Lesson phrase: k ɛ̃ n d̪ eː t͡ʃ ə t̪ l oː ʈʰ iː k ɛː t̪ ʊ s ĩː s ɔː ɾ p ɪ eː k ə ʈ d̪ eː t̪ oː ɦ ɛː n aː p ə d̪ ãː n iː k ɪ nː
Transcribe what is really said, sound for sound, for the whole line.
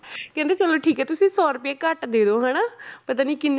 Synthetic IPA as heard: k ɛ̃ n d̪ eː t͡ʃ ə l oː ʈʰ iː k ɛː t̪ ʊ s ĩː s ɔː ɾ p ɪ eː k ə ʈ d̪ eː d̪ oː ɦ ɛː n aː p ə t̪ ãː n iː k ɪ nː